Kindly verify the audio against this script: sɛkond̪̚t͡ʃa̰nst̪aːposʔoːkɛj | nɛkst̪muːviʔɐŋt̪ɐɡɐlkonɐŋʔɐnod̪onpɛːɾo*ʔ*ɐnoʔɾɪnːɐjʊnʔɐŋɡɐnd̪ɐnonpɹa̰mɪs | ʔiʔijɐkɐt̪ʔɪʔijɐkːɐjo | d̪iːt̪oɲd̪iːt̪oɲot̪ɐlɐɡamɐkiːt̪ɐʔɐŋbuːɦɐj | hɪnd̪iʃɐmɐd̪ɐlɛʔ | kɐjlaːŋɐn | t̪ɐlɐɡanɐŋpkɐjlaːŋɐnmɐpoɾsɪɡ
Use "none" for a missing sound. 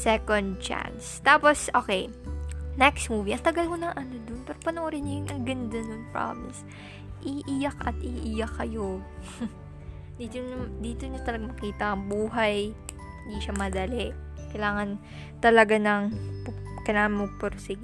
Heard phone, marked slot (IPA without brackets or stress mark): p